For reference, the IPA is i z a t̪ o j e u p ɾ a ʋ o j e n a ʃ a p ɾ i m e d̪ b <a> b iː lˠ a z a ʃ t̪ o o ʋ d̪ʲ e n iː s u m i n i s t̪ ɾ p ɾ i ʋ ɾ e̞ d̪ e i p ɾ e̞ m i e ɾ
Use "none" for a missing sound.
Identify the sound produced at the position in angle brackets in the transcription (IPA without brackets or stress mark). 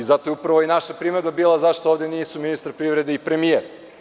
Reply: a